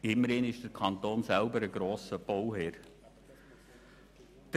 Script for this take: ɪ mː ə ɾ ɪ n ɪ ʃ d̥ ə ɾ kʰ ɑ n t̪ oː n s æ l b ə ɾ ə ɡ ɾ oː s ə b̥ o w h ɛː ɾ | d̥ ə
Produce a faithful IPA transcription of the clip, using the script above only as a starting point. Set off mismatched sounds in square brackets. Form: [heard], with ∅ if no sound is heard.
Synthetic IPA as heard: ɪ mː ə ɾ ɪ n ɪ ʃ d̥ ə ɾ kʰ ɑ n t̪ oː n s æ l b ə ɾ ə ɡ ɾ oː s ə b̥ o w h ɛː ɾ | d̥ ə